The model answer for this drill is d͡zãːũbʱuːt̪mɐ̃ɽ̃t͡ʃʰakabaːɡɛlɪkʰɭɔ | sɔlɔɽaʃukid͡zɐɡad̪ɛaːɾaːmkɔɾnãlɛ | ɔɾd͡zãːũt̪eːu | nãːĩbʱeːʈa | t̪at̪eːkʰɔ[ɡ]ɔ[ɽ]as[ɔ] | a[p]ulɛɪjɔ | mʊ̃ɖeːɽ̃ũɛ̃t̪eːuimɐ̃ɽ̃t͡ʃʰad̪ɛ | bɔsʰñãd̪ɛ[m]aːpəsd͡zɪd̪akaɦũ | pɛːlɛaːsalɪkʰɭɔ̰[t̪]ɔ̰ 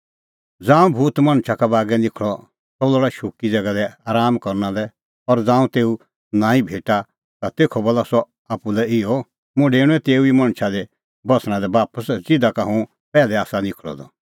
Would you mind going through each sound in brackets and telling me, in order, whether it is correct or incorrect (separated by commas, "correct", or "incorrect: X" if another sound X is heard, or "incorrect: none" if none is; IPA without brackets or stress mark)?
incorrect: b, incorrect: l, correct, correct, incorrect: b, incorrect: d̪